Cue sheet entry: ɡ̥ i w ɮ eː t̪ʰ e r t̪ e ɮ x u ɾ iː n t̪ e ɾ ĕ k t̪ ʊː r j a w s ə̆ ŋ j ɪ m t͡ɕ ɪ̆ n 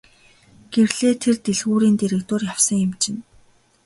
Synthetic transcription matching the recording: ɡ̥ e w ɮ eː t̪ʰ e r t̪ e ɮ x uː ɾ iː n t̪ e ɾ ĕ k t̪ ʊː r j a w s ə̆ ŋ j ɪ m t͡ɕ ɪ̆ n